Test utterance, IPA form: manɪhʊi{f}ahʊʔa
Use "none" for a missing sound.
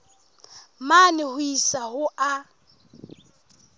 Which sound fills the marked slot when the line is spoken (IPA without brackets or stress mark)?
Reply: s